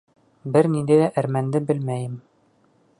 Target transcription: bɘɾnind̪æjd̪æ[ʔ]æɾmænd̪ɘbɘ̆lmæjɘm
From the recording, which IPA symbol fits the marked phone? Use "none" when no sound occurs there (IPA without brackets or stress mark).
ʔ